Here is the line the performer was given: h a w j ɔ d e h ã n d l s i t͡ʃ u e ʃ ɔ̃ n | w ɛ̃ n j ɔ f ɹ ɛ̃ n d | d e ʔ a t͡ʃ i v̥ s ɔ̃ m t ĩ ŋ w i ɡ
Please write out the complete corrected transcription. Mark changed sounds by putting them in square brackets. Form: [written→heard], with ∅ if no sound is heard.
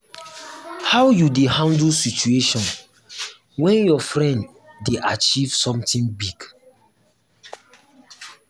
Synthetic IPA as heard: h a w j [ɔ→u] d e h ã n d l s i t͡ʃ u e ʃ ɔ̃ n | w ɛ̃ n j ɔ f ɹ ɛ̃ n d | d e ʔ a t͡ʃ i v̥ s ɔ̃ m t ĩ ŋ [w→b] i ɡ

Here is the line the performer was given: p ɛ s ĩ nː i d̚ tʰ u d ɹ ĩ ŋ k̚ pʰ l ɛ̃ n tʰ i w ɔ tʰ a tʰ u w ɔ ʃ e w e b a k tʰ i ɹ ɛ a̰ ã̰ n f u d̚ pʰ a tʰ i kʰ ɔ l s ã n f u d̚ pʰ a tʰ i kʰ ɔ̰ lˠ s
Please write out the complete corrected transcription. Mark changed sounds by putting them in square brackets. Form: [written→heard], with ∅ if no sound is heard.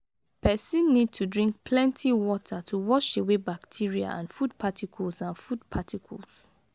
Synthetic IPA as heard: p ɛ s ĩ nː i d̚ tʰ u d ɹ ĩ ŋ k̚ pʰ l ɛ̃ n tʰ i w ɔ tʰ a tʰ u w ɔ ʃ e w e b a k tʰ i ɹ [ɛ→i] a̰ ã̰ n f u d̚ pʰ a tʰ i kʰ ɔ l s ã n f u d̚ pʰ a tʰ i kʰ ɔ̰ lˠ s

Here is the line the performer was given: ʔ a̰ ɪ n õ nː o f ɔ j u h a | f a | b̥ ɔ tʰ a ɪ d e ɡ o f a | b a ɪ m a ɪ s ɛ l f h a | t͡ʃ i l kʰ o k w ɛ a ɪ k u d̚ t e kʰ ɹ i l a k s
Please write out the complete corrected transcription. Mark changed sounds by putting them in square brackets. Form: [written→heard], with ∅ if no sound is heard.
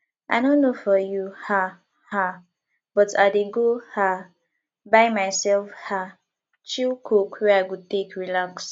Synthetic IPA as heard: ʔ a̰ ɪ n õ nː o f ɔ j u h a | [f→h] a | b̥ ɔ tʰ a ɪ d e ɡ o [f→h] a | b a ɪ m a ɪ s ɛ l f h a | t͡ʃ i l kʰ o k w ɛ a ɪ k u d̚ t e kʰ ɹ i l a k s

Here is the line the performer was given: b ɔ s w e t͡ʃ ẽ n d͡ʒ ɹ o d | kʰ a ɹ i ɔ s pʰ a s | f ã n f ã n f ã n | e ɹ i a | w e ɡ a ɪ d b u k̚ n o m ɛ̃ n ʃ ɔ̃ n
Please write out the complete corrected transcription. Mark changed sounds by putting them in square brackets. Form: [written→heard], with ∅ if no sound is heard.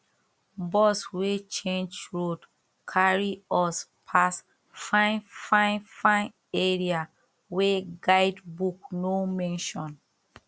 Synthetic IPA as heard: b ɔ s w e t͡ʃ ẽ n d͡ʒ ɹ o d | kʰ a ɹ i ɔ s pʰ a s | f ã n f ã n f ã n | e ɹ i a | w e ɡ a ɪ d b u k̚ n o m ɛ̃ n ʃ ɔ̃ n

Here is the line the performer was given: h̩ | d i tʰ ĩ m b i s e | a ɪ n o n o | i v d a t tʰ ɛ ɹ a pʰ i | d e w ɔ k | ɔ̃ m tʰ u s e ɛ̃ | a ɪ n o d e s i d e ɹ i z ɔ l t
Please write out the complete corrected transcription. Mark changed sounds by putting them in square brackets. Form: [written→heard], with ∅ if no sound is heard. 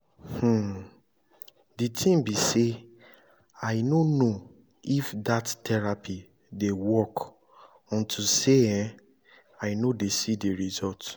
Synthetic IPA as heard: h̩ | d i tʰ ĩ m b i s e | a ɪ n o n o | i [v→f] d a t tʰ ɛ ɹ a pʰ i | d e w ɔ k | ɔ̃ [m→n] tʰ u s e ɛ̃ | a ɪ n o d e s i d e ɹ i z ɔ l t

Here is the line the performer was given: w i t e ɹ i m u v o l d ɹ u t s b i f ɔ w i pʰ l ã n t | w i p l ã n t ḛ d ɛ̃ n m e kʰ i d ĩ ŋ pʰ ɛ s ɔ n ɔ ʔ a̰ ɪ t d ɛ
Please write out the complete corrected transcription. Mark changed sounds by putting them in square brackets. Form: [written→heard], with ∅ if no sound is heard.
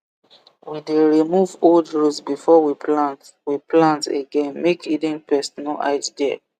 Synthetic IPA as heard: w i [t→d] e ɹ i m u v o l d ɹ u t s b i f ɔ w i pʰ l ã n t | w i p l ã n t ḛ [d→ɡ] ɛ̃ n m e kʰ i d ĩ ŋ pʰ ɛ s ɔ n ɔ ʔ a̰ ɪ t d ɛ

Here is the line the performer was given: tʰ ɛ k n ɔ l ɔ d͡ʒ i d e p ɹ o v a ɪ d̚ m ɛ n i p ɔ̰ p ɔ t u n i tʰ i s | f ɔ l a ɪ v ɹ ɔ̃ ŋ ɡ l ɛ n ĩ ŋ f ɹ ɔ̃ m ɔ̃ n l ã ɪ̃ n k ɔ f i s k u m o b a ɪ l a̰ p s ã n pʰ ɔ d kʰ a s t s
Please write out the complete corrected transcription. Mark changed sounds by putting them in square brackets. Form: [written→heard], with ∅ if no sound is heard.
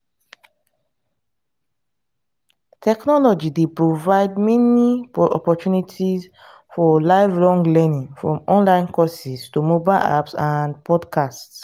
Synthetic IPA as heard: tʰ ɛ k n ɔ l ɔ d͡ʒ i d e p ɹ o v a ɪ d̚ m ɛ n i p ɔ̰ p ɔ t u n i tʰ i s | f ɔ l a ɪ v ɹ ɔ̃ ŋ ɡ l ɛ n ĩ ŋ f ɹ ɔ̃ m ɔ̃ n l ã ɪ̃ n k ɔ [f→s] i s [k→t] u m o b a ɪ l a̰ p s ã n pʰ ɔ d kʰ a s t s

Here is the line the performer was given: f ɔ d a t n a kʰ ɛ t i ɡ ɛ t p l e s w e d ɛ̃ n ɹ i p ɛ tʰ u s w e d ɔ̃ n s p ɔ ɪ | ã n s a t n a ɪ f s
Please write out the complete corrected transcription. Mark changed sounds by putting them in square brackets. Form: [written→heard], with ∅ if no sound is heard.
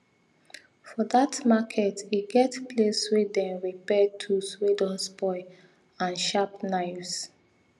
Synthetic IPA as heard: f ɔ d a t [n→m] a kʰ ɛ t i ɡ ɛ t p l e s w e d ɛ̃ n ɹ i p ɛ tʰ u s w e d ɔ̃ n s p ɔ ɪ | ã n [s→ʃ] a [t→p] n a ɪ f s

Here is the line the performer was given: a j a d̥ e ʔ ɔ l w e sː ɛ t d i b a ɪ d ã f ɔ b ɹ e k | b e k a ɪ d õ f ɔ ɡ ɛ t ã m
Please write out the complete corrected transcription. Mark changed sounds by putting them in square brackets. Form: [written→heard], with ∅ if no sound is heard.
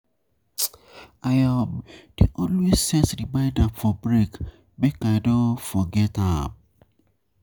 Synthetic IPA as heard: a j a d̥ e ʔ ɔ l w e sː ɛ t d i b a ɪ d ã f ɔ b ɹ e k | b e k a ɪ d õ f ɔ ɡ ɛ t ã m

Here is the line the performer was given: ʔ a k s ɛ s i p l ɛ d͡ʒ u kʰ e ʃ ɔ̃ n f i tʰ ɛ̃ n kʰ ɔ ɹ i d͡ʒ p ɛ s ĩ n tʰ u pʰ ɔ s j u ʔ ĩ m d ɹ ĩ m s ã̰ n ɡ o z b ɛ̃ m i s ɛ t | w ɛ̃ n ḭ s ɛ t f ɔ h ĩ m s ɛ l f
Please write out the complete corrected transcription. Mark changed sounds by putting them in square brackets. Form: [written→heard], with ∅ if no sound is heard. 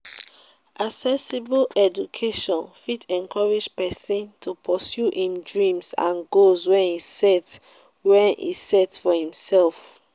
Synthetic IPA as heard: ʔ a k s ɛ s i [p→b] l ɛ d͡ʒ u kʰ e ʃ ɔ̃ n f i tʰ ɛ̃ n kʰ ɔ ɹ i d͡ʒ p ɛ s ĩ n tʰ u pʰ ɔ s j u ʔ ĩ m d ɹ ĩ m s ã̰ n ɡ o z [b→w] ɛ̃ [m→n] i s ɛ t | w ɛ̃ n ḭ s ɛ t f ɔ h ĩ m s ɛ l f

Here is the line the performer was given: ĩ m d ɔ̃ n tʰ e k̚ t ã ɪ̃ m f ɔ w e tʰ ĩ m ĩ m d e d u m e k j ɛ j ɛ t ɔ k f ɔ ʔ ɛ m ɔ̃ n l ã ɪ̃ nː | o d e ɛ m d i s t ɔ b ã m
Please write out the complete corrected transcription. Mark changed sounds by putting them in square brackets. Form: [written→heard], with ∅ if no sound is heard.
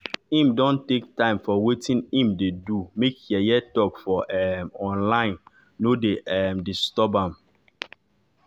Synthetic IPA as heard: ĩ m d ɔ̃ n [tʰ→t] e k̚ t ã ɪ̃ m f ɔ w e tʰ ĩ [m→n] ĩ m d e d u m e k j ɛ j ɛ t ɔ k f ɔ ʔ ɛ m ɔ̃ n l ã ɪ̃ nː | o d e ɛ m d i s t ɔ b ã m

